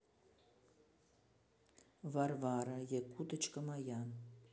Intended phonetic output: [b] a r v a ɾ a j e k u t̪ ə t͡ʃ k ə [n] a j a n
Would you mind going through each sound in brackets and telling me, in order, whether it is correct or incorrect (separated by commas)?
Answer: incorrect, incorrect